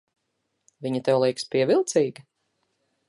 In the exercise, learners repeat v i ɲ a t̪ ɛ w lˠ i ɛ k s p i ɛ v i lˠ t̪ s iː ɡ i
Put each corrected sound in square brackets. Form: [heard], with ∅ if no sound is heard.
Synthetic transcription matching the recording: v i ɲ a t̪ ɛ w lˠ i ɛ k s p i ɛ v i lˠ t̪ s iː ɡ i